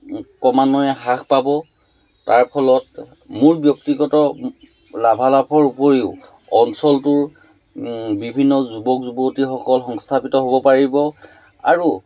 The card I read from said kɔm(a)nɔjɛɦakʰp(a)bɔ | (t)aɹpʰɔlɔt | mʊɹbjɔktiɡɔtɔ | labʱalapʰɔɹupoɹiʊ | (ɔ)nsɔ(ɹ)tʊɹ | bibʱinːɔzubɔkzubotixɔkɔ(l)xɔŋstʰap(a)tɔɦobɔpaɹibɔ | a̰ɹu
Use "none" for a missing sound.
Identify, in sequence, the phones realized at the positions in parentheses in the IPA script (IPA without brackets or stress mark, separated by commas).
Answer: a, a, t, ɔ, l, l, i